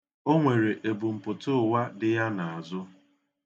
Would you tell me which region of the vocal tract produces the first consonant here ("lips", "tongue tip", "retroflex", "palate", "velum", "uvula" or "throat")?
velum